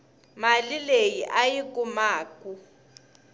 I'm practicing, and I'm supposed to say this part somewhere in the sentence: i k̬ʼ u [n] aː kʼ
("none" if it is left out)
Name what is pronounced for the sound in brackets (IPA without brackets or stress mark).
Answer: m